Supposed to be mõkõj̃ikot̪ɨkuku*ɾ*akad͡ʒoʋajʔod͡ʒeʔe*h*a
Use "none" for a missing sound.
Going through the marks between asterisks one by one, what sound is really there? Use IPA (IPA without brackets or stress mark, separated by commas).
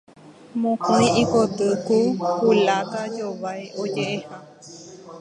l, h